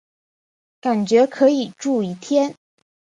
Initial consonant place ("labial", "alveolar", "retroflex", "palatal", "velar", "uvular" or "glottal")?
velar